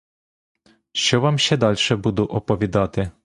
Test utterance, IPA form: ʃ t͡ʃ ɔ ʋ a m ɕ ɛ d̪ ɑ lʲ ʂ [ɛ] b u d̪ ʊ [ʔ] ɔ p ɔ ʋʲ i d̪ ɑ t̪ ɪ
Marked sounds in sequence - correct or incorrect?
correct, correct

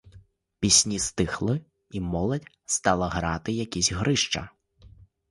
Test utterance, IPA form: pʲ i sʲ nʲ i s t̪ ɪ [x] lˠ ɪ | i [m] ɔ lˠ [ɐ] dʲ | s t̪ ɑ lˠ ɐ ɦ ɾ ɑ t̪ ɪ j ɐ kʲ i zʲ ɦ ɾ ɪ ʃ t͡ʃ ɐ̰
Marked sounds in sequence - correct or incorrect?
correct, correct, correct

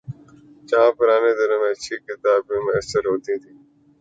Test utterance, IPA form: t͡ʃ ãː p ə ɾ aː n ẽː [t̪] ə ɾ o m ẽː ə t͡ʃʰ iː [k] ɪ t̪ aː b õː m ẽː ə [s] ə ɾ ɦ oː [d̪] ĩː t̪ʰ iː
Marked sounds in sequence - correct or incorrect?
incorrect, correct, correct, incorrect

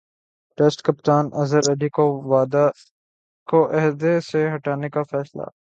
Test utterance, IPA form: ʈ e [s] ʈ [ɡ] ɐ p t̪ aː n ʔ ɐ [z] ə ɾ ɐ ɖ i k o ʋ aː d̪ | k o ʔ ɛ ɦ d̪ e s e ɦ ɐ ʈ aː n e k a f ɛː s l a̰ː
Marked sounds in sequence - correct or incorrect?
correct, incorrect, correct

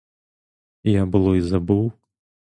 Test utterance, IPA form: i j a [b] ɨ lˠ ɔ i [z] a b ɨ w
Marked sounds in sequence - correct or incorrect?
correct, correct

